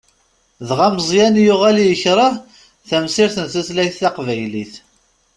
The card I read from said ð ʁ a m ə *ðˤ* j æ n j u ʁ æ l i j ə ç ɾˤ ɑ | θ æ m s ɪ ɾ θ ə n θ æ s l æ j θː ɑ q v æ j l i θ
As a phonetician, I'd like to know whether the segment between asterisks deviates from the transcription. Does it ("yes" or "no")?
yes